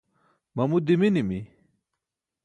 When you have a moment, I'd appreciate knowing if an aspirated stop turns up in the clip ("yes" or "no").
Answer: no